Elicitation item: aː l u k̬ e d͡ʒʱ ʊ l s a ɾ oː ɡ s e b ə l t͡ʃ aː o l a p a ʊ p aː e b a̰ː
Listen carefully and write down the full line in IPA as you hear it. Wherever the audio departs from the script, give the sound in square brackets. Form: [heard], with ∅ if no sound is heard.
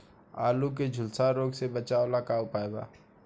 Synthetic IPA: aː l u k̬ e d͡ʒʱ ʊ l s a ɾ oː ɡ s e b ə [∅] t͡ʃ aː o l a [k] a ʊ p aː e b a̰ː